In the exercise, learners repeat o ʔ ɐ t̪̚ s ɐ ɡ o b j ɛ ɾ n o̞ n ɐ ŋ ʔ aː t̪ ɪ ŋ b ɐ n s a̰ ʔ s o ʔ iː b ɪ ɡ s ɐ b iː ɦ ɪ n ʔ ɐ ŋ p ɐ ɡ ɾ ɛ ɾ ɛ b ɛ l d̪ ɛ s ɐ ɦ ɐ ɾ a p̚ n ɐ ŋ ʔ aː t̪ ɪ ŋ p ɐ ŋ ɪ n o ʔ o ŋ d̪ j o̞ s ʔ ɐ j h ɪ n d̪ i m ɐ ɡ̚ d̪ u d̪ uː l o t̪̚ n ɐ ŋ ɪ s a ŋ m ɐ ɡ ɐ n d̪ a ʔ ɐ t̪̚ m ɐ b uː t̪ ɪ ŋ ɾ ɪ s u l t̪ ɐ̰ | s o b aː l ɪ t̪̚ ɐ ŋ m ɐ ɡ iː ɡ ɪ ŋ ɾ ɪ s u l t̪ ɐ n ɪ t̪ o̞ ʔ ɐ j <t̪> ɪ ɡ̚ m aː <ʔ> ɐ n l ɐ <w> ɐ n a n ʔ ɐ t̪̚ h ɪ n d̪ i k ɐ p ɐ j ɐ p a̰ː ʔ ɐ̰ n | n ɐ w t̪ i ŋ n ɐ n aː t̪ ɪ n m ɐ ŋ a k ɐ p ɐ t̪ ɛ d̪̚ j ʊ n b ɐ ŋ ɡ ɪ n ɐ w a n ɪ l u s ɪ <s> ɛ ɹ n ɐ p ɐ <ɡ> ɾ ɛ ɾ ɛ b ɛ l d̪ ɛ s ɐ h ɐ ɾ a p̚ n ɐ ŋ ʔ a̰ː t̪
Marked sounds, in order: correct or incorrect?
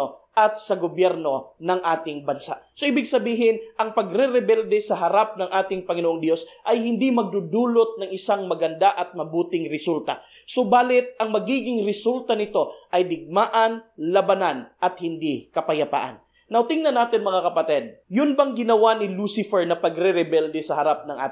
incorrect: d̪, correct, incorrect: b, incorrect: f, correct

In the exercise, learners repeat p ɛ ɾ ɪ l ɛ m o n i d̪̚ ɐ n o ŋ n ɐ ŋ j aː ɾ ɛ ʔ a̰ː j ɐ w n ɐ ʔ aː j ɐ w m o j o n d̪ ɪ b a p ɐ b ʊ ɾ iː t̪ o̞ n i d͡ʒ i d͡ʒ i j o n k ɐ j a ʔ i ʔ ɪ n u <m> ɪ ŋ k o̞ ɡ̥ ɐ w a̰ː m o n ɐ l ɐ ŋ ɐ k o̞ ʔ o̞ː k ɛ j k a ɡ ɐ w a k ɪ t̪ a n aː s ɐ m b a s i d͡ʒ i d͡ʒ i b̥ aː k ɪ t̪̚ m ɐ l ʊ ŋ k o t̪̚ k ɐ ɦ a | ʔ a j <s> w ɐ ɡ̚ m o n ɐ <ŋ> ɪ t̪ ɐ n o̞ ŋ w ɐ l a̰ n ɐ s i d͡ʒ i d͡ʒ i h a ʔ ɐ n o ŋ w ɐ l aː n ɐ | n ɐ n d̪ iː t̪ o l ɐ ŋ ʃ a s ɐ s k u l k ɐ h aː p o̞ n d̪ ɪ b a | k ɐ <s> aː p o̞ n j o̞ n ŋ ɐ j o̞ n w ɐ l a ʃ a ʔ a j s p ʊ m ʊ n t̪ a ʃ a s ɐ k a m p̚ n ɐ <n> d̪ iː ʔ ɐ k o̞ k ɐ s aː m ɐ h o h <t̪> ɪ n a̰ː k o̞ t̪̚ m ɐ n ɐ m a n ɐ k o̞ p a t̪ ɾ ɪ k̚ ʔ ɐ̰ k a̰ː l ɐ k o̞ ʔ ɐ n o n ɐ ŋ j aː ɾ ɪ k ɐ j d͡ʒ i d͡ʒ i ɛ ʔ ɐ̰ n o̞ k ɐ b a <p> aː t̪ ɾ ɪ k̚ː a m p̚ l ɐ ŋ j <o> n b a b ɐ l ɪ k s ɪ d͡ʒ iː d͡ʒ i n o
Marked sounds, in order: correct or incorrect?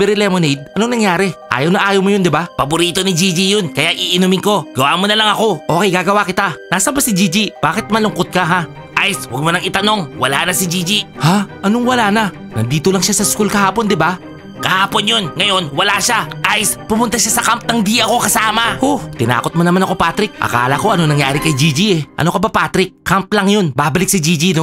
correct, correct, correct, incorrect: h, incorrect: ŋ, correct, correct, correct

